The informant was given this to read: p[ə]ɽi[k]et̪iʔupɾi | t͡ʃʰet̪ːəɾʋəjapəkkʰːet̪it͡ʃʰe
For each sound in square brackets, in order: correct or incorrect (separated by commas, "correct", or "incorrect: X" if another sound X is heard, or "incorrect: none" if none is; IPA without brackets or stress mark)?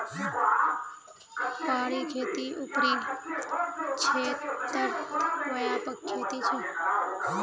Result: incorrect: a, incorrect: kʰ